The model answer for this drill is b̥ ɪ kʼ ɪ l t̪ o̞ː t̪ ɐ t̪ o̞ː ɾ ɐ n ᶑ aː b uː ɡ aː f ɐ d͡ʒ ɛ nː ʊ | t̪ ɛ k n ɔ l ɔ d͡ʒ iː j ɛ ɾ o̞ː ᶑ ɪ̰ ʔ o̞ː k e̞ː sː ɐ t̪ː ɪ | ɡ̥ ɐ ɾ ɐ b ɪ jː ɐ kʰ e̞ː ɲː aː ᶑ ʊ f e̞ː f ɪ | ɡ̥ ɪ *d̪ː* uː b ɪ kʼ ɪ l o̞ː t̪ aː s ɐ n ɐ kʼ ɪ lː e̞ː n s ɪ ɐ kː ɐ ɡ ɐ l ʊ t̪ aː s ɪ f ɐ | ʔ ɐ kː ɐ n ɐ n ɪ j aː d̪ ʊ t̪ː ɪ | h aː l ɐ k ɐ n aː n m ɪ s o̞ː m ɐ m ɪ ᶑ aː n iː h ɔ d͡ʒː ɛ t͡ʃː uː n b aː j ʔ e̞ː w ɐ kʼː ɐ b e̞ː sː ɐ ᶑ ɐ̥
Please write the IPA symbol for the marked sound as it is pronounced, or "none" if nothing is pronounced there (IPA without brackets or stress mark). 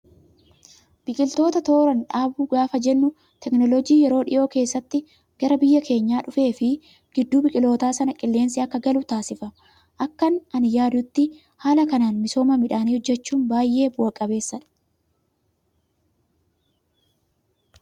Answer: d̪ː